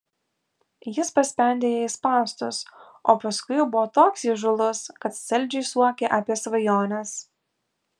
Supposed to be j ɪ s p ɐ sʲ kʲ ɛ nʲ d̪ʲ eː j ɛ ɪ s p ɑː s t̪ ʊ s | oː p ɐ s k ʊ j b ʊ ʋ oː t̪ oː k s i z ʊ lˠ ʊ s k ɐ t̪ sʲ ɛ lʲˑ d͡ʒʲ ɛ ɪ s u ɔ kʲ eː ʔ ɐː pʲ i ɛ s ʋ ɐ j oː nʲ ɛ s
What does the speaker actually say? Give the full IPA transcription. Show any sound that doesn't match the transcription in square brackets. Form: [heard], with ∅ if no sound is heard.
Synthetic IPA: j ɪ s p ɐ sʲ [pʲ] ɛ nʲ d̪ʲ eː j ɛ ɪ s p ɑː s t̪ ʊ s | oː p ɐ s k ʊ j b ʊ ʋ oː t̪ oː k s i [ʒ] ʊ lˠ ʊ s k ɐ t̪ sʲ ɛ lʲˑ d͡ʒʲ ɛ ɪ s u ɔ kʲ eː ʔ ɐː pʲ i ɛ s ʋ ɐ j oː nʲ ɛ s